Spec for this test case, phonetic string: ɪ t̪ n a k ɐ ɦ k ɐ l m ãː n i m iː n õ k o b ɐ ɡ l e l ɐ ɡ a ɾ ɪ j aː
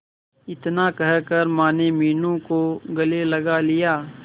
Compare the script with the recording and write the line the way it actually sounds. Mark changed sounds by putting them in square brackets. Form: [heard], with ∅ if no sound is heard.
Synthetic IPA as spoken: ɪ t̪ n a k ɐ ɦ k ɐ [ɾ] m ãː n [e] m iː n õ k o [ɡ] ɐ [∅] l e l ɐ ɡ a [l] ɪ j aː